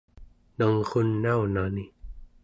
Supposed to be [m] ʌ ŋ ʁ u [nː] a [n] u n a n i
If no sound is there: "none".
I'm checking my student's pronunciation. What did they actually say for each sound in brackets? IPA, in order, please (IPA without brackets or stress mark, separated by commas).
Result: n, nː, none